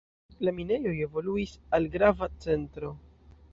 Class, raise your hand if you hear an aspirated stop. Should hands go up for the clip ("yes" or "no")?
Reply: no